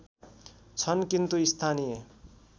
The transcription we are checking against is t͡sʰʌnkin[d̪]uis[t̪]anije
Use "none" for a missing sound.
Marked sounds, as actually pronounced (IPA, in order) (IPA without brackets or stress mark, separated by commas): t̪, t̪ʰ